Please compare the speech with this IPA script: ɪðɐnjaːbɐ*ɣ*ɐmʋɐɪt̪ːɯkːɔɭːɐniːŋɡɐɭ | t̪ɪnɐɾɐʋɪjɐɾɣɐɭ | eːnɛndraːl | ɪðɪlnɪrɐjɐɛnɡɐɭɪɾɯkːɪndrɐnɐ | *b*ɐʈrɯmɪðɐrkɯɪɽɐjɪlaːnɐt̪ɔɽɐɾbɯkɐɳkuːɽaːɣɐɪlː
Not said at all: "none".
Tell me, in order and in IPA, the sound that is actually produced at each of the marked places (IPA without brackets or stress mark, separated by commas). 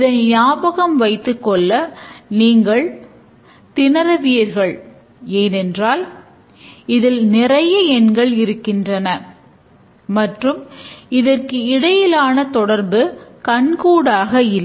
ɣ, m